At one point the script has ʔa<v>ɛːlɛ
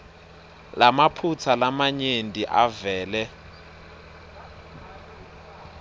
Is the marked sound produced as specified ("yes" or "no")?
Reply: yes